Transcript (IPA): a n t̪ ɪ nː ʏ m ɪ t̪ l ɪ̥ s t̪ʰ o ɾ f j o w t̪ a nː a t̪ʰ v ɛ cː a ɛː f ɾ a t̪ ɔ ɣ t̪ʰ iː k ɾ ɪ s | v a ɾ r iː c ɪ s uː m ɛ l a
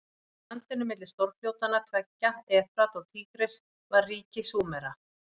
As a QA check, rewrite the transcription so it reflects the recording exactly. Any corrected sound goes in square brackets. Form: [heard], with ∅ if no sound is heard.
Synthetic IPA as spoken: a n t̪ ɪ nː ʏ m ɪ t̪ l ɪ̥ s [t̪] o ɾ f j o w t̪ a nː a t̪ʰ v ɛ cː a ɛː f ɾ a t̪ ɔ ɣ t̪ʰ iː k ɾ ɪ s | v a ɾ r iː c ɪ s uː m ɛ [ɾ] a